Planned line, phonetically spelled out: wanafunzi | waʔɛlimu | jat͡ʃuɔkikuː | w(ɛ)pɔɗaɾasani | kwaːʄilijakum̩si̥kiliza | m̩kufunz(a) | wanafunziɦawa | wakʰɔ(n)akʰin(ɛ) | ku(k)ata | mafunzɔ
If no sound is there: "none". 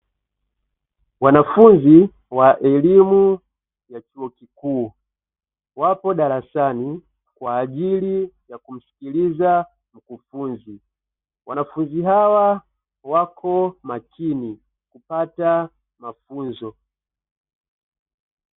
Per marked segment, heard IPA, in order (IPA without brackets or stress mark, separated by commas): a, i, m, i, p